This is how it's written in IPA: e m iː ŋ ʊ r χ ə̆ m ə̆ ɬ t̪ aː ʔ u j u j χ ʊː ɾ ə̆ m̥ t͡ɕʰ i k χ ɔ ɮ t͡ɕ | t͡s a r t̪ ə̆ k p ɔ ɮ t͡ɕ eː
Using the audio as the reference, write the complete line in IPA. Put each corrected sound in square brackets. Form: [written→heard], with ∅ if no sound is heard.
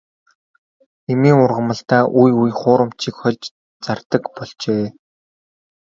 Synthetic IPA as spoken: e m iː ŋ ʊ r [χ→ʁ] ə̆ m ə̆ ɬ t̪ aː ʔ u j u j χ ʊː ɾ ə̆ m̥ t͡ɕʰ i k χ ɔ ɮ t͡ɕ | t͡s a r t̪ ə̆ k p ɔ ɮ t͡ɕ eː